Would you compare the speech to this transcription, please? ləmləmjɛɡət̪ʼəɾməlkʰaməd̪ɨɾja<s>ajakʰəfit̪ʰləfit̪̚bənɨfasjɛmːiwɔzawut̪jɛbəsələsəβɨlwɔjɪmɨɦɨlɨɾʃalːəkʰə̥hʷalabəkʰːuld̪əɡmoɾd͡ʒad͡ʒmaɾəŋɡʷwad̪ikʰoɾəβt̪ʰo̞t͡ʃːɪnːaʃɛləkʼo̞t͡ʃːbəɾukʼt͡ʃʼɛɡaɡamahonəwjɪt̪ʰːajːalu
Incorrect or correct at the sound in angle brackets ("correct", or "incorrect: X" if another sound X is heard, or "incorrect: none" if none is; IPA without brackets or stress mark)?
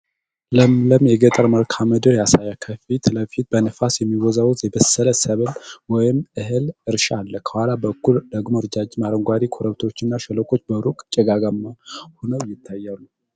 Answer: correct